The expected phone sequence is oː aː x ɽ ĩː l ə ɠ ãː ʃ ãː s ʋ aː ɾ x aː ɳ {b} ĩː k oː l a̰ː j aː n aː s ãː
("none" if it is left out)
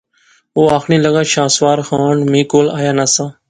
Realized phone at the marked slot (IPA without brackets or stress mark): m